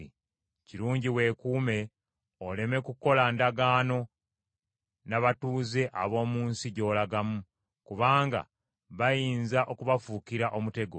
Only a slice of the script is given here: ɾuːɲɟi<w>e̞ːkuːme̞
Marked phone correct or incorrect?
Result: correct